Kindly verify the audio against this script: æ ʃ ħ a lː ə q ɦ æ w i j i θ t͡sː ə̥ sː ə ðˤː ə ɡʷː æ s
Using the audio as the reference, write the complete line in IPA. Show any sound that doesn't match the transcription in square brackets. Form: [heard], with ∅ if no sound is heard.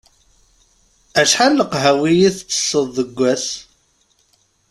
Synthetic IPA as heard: æ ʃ ħ a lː ə q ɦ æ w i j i θ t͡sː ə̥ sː ə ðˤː ə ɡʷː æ s